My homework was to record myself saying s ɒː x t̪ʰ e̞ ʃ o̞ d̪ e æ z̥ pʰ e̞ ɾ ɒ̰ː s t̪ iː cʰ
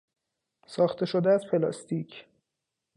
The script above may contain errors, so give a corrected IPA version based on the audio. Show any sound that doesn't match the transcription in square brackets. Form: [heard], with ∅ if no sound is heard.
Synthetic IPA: s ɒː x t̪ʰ e̞ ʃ o̞ d̪ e æ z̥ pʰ e̞ [l] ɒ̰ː s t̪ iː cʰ